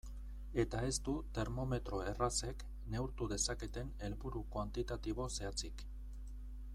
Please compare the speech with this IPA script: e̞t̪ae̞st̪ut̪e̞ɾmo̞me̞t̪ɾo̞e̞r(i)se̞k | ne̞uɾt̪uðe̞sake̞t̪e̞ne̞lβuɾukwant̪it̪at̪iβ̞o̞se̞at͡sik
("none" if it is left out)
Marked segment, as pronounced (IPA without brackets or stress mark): a